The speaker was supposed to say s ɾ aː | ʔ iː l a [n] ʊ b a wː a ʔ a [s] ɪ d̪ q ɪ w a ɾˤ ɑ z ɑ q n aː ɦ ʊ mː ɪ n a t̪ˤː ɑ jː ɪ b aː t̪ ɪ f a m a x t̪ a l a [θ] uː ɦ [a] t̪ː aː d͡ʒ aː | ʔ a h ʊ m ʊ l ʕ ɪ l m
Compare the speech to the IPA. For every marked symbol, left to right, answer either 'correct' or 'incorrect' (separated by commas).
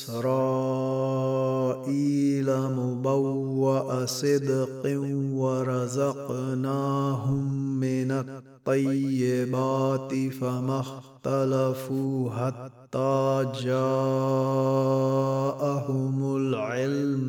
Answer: incorrect, correct, incorrect, correct